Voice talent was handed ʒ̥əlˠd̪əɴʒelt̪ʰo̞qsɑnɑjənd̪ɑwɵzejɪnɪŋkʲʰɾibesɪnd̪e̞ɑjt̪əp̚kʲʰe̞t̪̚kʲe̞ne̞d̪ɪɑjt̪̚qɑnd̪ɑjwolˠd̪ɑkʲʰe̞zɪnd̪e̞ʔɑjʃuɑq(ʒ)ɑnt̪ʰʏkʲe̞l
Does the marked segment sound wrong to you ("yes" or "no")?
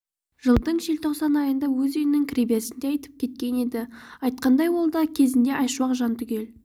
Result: no